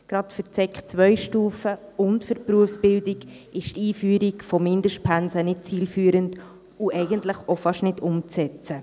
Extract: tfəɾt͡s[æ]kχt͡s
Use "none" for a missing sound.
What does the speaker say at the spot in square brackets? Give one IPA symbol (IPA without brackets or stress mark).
ɛ